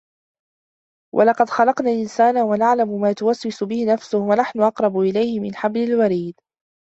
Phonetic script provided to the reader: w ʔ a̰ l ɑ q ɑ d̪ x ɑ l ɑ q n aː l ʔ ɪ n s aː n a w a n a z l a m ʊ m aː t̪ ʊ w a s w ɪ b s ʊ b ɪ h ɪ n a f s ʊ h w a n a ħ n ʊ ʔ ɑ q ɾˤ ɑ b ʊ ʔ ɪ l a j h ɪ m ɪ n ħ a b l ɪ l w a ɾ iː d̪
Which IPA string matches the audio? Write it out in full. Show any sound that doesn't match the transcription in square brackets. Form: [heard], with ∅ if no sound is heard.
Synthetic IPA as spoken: w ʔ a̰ l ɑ q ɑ d̪ x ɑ l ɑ q n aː l ʔ ɪ n s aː n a w a n a [ʕ] l a m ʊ m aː t̪ ʊ w a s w ɪ [∅] s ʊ b ɪ h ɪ n a f s ʊ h w a n a ħ n ʊ ʔ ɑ q ɾˤ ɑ b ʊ ʔ ɪ l a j h ɪ m ɪ n ħ a b l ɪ l w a ɾ iː d̪